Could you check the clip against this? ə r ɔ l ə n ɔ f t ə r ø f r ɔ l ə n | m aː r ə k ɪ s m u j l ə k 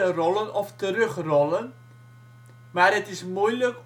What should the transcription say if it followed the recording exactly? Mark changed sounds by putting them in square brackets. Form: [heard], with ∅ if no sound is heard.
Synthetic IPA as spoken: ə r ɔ l ə n ɔ f t ə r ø [χ] r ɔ l ə n | m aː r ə [t] ɪ s m u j l ə k